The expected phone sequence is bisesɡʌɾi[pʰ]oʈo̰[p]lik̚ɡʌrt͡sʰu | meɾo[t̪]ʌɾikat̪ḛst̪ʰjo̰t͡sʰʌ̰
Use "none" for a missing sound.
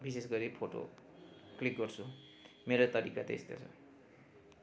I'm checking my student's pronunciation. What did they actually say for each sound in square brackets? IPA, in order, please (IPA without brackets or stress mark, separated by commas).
pʰ, k, t̪